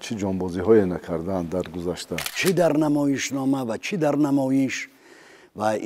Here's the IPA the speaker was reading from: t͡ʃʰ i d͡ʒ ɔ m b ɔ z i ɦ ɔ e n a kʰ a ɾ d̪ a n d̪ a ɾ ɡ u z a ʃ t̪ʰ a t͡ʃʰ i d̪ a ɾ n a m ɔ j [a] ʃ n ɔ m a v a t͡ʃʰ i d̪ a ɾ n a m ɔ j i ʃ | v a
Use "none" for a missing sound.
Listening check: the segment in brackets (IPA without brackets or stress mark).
i